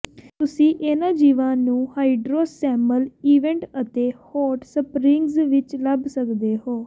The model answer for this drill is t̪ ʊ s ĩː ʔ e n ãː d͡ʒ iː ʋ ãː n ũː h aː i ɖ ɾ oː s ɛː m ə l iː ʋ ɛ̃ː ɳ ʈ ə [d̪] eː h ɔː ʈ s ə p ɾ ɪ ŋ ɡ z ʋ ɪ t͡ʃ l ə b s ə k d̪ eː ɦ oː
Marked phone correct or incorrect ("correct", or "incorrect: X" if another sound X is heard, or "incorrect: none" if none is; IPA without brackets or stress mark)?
incorrect: t̪